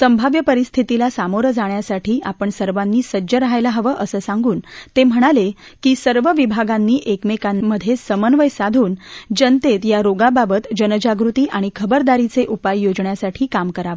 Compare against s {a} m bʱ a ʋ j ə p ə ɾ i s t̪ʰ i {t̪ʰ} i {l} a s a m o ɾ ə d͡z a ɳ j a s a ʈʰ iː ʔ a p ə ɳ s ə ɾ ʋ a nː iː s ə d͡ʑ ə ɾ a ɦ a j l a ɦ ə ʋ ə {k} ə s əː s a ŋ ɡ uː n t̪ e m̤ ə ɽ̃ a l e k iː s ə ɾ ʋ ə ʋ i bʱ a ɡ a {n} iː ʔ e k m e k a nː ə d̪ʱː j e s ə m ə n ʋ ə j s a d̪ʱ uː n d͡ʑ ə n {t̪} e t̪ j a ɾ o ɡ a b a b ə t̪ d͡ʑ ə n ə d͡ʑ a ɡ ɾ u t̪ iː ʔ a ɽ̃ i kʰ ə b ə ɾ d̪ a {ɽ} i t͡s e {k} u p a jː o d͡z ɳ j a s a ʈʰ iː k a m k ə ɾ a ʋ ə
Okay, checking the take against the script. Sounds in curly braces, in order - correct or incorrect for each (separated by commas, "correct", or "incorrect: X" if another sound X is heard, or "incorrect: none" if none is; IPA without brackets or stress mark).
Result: incorrect: ə, incorrect: t̪, correct, incorrect: ʔ, incorrect: nː, correct, incorrect: ɾ, incorrect: ʔ